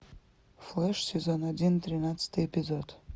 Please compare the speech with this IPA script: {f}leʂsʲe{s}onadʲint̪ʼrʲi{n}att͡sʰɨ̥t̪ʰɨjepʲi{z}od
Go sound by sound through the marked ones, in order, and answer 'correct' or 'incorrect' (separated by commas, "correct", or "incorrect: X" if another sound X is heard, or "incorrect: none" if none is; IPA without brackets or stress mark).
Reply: correct, incorrect: z, correct, correct